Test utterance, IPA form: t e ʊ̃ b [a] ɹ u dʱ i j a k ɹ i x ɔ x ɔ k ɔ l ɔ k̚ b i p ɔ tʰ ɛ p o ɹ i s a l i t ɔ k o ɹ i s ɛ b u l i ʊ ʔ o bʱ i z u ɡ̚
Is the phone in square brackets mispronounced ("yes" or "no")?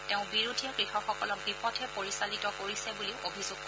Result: yes